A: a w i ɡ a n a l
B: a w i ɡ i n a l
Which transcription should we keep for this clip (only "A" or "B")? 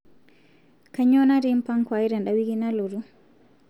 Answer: B